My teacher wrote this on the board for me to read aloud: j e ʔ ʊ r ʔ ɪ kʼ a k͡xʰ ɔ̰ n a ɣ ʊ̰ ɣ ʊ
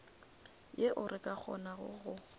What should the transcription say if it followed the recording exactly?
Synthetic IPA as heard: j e ʔ ʊ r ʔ ɪ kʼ a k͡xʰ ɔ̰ n a ɣ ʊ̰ ɣ ʊ